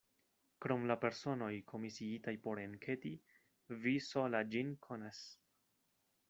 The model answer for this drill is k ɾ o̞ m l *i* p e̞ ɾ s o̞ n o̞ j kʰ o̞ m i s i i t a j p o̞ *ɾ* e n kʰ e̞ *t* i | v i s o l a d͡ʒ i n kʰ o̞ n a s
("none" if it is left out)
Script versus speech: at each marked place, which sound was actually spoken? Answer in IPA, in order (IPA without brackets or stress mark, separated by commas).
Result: a, ɾ, t